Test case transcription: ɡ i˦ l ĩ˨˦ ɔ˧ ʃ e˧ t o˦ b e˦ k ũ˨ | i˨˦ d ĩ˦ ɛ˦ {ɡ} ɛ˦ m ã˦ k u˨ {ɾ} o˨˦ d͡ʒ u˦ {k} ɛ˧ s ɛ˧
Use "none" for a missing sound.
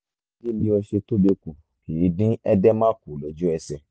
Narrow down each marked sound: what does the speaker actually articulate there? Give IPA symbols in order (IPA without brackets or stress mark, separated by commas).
d, l, none